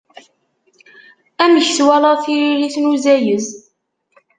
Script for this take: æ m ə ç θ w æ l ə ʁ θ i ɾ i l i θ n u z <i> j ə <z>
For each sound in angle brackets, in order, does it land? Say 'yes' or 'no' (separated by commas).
no, yes